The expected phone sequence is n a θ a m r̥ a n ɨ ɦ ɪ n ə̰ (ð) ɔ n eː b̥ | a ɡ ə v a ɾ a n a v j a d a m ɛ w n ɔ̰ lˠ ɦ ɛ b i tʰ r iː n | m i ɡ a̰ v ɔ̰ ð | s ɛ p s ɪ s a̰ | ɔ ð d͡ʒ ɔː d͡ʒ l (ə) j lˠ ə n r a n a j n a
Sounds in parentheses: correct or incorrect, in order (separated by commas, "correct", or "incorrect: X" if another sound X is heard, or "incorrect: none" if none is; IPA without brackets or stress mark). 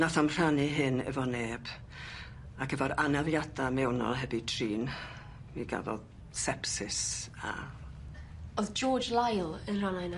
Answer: incorrect: v, incorrect: a